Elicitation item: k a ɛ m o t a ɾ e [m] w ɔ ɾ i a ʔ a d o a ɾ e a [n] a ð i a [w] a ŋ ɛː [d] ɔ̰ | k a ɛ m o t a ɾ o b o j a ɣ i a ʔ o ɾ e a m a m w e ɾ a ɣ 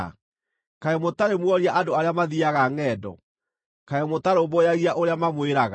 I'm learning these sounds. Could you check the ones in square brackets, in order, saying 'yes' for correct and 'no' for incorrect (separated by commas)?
yes, no, no, yes